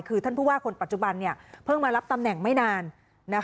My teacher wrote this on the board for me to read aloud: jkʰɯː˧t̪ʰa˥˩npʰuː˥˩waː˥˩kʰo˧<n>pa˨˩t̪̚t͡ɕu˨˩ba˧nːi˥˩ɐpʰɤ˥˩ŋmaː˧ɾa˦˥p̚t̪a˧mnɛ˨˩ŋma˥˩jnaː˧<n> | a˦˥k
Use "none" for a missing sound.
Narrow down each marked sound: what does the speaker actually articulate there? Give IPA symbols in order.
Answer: n, nː

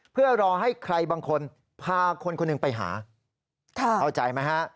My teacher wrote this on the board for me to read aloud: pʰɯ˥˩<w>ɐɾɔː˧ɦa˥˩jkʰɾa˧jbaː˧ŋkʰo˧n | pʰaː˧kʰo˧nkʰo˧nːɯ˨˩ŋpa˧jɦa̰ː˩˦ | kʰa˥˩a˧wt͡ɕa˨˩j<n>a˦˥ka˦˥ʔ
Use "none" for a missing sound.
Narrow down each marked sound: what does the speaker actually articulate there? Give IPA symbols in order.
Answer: none, m

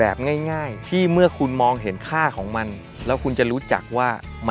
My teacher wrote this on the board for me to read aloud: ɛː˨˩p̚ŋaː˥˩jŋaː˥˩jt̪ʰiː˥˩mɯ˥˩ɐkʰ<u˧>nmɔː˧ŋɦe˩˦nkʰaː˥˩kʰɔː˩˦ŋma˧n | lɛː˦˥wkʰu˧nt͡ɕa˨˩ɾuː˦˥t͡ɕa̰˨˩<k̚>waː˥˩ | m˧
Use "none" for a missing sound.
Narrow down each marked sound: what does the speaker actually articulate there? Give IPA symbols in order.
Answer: u˧, k̚

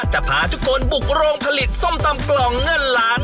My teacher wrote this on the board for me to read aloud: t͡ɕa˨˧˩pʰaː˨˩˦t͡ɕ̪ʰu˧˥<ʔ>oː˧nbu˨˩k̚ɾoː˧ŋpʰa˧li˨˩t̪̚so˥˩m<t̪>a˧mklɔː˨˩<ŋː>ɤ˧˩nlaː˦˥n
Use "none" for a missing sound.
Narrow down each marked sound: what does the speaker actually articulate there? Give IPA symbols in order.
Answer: k, t̪, ŋː

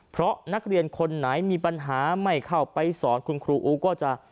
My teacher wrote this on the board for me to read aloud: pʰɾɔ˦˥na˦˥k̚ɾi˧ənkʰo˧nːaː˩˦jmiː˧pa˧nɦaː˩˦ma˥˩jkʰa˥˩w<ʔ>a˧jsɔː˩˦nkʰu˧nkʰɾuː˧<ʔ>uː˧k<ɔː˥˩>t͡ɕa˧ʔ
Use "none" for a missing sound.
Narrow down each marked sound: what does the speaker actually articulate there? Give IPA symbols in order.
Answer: p, ʔ, ɔː˥˩

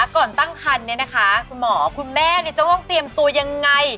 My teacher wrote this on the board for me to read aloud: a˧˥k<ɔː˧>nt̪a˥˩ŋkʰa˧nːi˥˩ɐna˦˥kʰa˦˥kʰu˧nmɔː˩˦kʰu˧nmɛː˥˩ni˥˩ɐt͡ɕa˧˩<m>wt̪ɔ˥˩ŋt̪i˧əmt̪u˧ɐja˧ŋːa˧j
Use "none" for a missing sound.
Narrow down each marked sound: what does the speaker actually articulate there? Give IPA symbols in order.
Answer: ɔː˨˩, none

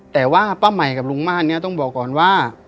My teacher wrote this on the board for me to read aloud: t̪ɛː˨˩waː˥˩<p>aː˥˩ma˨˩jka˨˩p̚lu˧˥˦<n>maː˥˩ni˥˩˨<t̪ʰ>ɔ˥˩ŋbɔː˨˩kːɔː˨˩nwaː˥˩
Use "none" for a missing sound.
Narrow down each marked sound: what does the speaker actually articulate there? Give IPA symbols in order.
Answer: p, ŋ, t̪

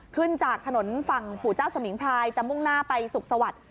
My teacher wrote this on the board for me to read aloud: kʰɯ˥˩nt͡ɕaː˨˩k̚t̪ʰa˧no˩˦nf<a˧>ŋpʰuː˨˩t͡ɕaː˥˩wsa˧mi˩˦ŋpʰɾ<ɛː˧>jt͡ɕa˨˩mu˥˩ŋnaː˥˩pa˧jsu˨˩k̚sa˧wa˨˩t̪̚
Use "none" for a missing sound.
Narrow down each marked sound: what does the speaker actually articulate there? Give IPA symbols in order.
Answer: a˨˩, aː˧

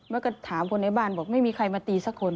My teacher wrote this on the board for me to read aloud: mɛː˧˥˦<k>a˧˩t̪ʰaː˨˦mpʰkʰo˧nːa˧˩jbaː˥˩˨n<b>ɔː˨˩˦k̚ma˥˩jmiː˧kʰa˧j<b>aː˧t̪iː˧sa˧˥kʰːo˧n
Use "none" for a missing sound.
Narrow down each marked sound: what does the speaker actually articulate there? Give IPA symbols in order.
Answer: k, b, m

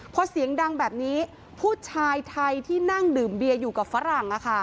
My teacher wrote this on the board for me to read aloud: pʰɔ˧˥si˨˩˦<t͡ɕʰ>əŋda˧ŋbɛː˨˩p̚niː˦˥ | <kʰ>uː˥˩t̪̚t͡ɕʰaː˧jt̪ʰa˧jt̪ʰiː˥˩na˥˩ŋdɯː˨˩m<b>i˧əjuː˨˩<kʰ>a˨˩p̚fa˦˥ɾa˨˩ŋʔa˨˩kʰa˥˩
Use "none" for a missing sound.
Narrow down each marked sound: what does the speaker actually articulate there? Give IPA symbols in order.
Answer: none, pʰ, b, k

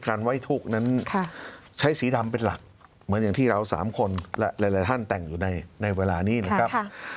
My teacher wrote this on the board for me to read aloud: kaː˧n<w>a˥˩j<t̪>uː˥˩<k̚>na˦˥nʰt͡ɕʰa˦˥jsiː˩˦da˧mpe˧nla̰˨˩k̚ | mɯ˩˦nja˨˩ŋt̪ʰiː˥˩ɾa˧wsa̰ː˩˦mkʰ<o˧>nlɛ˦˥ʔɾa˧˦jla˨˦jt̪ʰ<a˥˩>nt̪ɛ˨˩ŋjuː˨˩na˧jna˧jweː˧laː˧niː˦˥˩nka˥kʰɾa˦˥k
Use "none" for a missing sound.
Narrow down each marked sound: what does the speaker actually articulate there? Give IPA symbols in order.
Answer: w, t̪ʰ, k̚, o˧, a˥˩

